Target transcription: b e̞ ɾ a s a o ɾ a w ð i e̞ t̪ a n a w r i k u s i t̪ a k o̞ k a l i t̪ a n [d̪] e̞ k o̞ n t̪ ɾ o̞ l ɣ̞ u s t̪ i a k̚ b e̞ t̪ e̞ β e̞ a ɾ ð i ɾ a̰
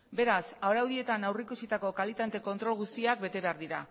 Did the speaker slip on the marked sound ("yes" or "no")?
yes